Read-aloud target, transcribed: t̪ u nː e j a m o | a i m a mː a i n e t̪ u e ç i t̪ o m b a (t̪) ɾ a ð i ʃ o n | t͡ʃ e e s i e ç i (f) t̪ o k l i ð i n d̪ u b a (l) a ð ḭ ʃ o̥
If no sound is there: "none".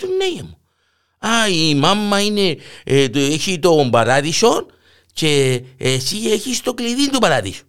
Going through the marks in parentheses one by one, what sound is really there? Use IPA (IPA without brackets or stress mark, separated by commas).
none, s, ɾ